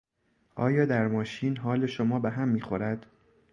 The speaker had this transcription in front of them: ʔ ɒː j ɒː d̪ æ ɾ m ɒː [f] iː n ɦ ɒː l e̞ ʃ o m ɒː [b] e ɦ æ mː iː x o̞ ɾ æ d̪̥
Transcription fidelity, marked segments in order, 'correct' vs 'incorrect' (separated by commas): incorrect, correct